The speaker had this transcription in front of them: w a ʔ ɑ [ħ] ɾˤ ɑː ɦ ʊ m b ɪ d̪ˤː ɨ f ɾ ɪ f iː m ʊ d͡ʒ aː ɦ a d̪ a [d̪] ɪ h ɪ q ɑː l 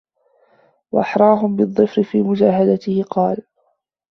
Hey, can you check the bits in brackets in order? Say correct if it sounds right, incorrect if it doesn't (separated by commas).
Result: correct, incorrect